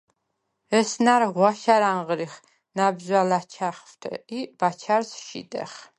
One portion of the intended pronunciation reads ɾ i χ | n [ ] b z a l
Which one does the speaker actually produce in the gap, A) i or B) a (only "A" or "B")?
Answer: B